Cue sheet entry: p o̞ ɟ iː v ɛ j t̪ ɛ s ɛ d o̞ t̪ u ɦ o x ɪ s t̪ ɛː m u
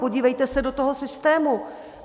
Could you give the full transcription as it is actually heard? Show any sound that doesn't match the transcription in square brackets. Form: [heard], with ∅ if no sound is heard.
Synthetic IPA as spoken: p o̞ ɟ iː v ɛ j t̪ ɛ s ɛ d o̞ t̪ [o] ɦ o [s] ɪ s t̪ ɛː m u